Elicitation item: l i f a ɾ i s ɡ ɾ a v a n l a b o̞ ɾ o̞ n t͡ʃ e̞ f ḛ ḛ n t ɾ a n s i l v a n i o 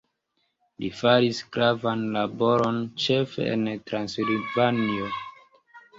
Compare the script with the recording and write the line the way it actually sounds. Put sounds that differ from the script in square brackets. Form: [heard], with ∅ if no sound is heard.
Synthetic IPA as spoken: l i f a ɾ i s ɡ ɾ a v a n l a b o̞ ɾ o̞ n t͡ʃ e̞ f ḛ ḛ n t ɾ a n s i l v a n i o